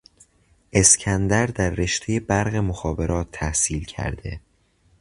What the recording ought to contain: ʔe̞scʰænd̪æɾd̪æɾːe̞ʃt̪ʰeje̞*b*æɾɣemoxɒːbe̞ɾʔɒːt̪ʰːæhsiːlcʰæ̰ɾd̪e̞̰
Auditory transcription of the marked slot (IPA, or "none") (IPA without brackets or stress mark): b